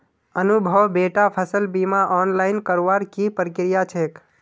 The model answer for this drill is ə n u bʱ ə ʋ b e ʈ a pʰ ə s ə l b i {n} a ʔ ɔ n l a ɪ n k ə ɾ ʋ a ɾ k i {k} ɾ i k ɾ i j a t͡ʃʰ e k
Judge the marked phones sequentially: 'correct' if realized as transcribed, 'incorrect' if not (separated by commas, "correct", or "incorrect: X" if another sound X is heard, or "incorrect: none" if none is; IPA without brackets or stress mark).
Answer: incorrect: m, incorrect: p